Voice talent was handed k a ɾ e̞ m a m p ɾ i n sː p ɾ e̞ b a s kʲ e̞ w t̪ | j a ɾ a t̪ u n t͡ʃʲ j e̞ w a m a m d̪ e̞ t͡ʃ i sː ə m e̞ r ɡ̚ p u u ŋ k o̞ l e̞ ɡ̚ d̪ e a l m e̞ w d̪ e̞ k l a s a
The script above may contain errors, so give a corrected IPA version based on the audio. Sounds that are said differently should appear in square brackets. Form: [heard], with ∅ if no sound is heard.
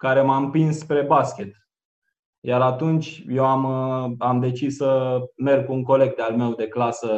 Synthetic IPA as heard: k a ɾ e̞ m a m p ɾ i n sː p ɾ e̞ b a s kʲ e̞ [∅] t̪ | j a ɾ a t̪ u n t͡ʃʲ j e̞ w a m a m d̪ e̞ t͡ʃ i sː ə m e̞ r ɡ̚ [k] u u ŋ k o̞ l e̞ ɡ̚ d̪ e a l m e̞ w d̪ e̞ k l a s [ə]